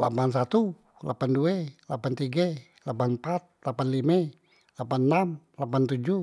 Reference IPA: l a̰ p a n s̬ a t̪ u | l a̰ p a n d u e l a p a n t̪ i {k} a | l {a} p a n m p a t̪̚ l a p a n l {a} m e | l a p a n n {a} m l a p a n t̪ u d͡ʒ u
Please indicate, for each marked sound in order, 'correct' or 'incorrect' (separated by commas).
incorrect, correct, incorrect, correct